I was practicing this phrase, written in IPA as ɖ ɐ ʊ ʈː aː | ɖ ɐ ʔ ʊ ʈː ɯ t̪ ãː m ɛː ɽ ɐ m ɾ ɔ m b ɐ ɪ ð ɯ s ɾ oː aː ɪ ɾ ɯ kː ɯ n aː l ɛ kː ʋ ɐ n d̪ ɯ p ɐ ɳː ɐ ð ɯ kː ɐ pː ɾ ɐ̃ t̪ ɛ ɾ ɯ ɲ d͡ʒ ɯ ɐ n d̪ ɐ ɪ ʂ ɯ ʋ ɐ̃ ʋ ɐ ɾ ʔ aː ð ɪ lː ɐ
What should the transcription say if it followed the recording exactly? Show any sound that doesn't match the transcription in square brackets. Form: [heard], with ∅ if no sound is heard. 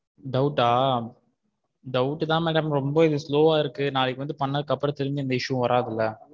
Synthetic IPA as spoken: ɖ ɐ ʊ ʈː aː | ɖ ɐ [∅] ʊ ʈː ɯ t̪ ãː m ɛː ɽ ɐ m ɾ ɔ m b ɐ ɪ ð ɯ s [l] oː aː ɪ ɾ ɯ kː ɯ n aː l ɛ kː ʋ ɐ n d̪ ɯ p ɐ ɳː ɐ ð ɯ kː ɐ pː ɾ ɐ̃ t̪ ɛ ɾ ɯ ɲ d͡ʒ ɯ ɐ n d̪ ɐ ɪ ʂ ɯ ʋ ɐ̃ ʋ ɐ ɾ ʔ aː ð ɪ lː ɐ